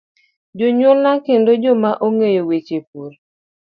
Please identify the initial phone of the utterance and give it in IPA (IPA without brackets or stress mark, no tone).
d͡ʒ